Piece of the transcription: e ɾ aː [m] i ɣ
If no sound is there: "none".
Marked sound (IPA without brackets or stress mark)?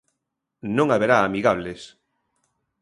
m